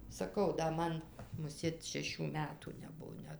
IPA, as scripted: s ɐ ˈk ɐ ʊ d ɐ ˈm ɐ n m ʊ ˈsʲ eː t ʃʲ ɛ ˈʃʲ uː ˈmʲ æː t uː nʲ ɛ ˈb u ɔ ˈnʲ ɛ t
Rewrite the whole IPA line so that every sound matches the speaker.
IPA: s ɐ ˈk ɐ ʊ d ɐ ˈm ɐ n m ʊ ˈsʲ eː t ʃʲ ɛ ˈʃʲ uː ˈmʲ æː t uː nʲ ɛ ˈb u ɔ ˈnʲ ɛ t